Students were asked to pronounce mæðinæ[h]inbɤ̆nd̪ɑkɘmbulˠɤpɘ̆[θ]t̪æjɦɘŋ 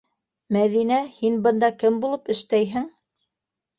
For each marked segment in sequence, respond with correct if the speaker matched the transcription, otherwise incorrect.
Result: correct, incorrect: ʃ

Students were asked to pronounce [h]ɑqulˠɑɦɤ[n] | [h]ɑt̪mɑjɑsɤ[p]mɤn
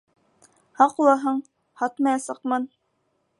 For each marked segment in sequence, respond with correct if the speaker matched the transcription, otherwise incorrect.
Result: correct, incorrect: ɴ, correct, incorrect: q

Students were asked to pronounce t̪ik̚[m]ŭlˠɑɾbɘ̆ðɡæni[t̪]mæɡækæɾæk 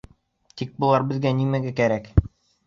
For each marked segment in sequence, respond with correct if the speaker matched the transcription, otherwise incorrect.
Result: incorrect: b, incorrect: none

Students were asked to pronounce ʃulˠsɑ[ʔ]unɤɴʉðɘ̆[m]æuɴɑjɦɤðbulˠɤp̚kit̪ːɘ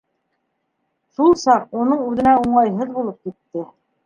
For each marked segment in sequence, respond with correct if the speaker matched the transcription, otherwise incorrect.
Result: incorrect: q, incorrect: n

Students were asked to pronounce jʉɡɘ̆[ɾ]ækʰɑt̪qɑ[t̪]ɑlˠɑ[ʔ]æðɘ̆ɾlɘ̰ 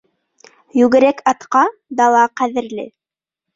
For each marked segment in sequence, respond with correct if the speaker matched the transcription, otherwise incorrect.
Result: correct, incorrect: d̪, incorrect: q

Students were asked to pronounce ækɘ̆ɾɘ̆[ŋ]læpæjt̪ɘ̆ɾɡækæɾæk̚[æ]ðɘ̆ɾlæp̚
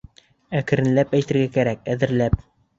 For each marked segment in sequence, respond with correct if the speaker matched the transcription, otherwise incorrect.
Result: incorrect: n, correct

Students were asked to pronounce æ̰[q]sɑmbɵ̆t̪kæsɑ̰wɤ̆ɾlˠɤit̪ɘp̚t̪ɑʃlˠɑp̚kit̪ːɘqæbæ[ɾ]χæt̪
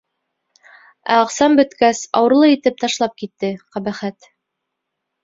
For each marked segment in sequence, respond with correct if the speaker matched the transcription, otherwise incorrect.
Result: correct, incorrect: none

